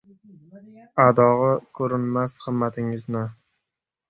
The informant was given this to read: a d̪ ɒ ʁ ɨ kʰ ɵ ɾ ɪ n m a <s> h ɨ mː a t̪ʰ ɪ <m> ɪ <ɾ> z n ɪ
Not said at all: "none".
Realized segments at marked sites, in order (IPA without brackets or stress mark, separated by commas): s, ŋ, none